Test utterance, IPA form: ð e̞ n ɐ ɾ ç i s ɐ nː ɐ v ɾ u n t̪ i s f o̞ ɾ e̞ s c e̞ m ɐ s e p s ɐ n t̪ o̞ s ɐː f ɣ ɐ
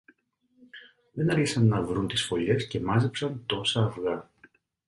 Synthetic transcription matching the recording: ð e̞ n ɐ ɾ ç i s ɐ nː ɐ v ɾ u n t̪ i s f o̞ ʎ e̞ s c e̞ m ɐ z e p s ɐ n t̪ o̞ s ɐː f ɣ ɐ